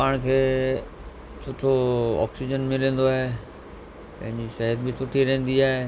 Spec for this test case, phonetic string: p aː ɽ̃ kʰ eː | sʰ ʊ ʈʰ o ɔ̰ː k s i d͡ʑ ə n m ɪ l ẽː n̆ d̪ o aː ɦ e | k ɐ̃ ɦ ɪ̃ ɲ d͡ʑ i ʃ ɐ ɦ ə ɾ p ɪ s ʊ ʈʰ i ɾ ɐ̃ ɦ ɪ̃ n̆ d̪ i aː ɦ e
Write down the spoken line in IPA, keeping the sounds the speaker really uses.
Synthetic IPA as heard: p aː ɽ̃ kʰ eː | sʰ ʊ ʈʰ o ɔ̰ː k s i d͡ʑ ə n m ɪ l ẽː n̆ d̪ o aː ɦ e | p ɐ̃ ɦ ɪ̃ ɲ d͡ʑ i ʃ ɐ ɦ ə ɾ b ɪ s ʊ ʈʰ i ɾ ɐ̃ ɦ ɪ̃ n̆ d̪ i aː ɦ e